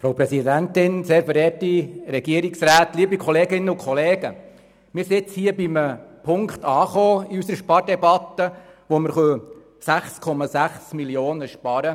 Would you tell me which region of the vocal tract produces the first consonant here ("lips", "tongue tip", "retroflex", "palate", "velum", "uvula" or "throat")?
lips